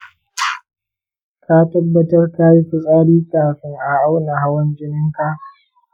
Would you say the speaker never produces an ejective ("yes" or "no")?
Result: no